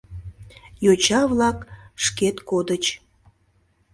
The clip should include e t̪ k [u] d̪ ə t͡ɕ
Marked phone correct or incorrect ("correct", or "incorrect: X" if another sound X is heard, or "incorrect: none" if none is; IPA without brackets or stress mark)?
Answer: incorrect: o